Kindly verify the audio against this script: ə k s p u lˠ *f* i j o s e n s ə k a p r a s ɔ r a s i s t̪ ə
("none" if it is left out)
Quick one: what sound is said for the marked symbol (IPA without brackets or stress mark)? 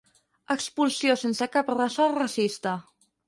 s